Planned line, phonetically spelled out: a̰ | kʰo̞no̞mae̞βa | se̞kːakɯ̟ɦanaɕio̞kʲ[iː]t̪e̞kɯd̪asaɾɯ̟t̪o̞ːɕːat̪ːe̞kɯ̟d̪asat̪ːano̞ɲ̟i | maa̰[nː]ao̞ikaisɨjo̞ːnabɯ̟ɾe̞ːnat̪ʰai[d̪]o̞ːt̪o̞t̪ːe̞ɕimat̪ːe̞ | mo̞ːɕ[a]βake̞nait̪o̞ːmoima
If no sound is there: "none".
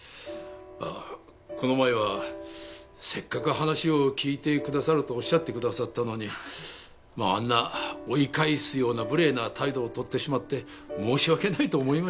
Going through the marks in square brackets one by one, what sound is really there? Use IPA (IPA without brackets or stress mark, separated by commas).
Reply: iː, nː, d̪, i